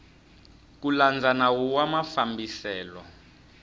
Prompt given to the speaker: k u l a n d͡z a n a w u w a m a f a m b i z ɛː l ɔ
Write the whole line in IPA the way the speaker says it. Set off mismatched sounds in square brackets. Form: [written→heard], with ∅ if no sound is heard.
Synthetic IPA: k u l a n d͡z a n a w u w a m a f a m b i [z→s] ɛː l ɔ